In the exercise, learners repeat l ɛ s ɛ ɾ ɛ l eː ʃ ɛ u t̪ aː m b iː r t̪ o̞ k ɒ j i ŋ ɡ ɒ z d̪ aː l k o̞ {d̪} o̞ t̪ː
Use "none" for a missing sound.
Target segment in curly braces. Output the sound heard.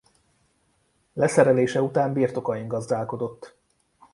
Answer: d̪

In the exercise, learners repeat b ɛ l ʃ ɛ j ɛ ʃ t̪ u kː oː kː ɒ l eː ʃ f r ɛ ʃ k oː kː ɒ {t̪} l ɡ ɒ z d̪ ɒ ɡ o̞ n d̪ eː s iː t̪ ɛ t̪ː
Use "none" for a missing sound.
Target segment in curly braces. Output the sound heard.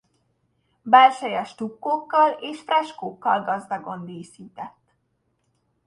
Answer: none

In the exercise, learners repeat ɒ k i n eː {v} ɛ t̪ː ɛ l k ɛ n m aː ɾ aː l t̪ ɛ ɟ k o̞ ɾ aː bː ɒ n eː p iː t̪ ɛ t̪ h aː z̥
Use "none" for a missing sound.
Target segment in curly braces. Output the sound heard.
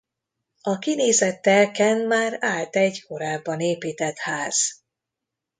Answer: z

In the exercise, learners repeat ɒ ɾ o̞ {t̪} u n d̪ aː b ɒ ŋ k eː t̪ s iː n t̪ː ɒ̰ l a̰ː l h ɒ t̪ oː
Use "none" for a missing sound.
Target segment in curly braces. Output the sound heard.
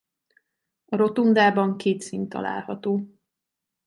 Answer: t̪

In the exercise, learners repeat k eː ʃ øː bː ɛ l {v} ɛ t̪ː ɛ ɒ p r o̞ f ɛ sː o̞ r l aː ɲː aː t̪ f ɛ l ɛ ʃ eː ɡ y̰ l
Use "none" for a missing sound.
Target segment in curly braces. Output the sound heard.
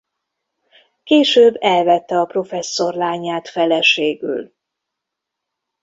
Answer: v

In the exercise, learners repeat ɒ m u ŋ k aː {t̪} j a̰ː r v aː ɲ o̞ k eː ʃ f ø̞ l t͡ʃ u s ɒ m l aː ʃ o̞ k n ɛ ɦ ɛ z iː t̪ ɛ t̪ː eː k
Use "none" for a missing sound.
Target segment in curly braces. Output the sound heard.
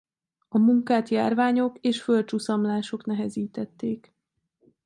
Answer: t̪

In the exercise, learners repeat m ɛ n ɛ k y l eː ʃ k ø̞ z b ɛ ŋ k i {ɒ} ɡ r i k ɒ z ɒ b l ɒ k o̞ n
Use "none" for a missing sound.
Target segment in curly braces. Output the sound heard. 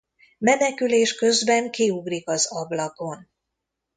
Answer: u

